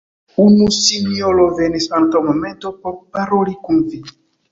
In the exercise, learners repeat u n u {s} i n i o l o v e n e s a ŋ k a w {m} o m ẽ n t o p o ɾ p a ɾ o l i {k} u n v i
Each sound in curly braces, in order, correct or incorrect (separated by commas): correct, correct, correct